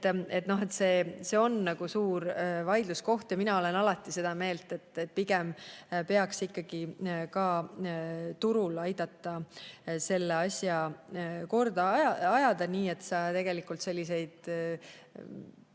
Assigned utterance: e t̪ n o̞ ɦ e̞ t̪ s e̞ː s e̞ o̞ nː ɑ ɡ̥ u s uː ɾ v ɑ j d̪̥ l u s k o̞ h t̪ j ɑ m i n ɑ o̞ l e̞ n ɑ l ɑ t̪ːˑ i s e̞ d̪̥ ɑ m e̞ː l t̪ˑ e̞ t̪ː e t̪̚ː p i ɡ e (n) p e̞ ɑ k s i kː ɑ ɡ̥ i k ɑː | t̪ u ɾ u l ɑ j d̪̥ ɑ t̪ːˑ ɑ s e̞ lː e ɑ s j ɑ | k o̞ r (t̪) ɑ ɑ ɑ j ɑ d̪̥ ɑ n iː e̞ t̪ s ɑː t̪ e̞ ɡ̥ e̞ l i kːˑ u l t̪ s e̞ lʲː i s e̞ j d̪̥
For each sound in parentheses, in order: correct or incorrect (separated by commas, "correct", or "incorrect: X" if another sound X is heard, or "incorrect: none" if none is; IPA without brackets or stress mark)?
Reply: incorrect: m, incorrect: d̪